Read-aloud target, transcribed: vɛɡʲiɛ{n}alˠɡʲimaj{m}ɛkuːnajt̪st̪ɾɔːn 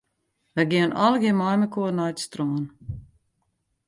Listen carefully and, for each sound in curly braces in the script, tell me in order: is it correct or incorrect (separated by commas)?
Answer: correct, correct